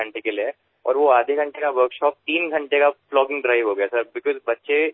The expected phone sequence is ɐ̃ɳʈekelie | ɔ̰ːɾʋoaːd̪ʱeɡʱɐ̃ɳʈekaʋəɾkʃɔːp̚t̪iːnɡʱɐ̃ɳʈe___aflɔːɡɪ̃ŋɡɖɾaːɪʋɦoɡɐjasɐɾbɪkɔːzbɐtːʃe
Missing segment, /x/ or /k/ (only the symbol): k